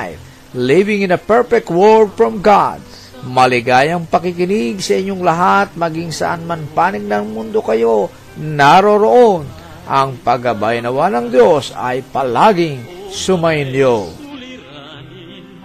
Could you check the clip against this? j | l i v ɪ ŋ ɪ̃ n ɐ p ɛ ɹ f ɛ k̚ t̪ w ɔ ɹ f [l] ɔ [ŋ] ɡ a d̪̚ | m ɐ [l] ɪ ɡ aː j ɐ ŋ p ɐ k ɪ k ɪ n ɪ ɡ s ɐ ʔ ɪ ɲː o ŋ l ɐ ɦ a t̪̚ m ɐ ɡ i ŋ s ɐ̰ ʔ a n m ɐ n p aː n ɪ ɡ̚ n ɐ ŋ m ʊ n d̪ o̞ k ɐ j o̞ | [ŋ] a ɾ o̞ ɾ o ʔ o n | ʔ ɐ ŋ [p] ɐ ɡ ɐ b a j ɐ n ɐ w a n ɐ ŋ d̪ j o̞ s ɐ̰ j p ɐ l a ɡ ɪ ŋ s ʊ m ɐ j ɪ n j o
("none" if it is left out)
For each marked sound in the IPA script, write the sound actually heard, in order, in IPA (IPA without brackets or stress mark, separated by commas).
ɹ, m, l, n, p